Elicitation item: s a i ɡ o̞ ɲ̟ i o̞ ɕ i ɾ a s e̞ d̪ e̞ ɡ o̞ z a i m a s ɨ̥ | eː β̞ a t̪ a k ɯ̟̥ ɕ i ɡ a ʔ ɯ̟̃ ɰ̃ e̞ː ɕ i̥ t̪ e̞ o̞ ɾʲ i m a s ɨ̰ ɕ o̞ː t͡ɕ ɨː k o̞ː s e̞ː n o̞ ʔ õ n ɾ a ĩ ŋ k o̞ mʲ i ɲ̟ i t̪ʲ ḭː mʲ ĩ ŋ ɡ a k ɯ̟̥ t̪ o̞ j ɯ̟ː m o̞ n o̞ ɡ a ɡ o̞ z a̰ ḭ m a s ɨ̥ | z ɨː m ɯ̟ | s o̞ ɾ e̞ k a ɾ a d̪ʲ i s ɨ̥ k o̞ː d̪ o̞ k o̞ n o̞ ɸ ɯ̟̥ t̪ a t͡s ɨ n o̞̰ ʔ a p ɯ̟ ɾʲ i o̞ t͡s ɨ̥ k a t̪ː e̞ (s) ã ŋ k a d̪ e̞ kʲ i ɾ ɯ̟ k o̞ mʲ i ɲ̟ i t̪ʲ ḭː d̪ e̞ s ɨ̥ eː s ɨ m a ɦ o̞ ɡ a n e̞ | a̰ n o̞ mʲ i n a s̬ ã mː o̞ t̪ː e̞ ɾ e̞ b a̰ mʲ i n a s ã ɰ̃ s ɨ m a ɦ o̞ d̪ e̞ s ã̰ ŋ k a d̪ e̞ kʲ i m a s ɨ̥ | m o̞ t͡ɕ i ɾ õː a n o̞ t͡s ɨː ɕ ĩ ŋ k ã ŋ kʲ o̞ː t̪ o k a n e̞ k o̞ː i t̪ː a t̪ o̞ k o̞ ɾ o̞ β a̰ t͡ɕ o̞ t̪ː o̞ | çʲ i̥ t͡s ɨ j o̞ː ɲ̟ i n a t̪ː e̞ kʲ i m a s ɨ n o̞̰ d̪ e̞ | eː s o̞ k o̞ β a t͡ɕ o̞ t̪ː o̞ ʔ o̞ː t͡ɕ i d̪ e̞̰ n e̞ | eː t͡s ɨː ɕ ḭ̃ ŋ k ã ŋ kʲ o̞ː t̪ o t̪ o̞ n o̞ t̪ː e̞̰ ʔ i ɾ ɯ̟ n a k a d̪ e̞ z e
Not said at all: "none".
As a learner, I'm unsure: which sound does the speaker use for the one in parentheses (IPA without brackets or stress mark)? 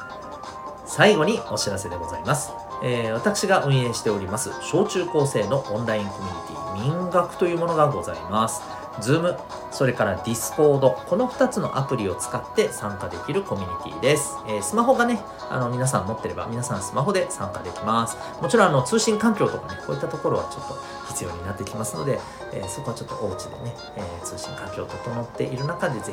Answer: s